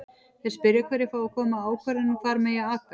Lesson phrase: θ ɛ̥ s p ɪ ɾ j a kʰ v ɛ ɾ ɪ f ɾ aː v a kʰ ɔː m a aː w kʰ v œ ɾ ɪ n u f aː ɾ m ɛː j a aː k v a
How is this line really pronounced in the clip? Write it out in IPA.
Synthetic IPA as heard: θ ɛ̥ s p ɪ ɾ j a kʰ v ɛ ɾ ɪ f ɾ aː w a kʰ ɔː m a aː w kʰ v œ ɾ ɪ n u f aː ɾ m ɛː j a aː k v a